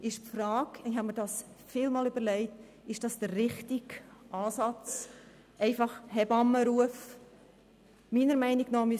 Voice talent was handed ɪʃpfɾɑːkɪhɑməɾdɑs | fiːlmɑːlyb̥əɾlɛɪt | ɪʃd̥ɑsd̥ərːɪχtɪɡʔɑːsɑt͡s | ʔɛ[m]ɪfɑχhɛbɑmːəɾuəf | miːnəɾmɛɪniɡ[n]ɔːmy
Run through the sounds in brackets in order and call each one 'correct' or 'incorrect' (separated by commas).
incorrect, correct